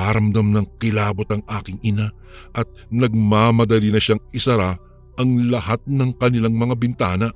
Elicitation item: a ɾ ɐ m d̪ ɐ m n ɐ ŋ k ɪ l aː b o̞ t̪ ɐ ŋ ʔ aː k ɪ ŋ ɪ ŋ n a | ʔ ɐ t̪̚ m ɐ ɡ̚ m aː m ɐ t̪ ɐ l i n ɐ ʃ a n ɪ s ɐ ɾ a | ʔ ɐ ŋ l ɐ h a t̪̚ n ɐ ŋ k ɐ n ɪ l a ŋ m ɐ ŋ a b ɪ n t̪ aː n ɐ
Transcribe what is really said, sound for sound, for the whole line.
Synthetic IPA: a ɾ ɐ m d̪ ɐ m n ɐ ŋ k ɪ l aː b o̞ t̪ ɐ ŋ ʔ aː k ɪ ŋ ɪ n a | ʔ ɐ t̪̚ n ɐ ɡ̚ m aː m ɐ d̪ ɐ l i n ɐ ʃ a ŋ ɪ s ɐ ɾ a | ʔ ɐ ŋ l ɐ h a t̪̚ n ɐ ŋ k ɐ n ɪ l a ŋ m ɐ ŋ a b ɪ n t̪ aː n ɐ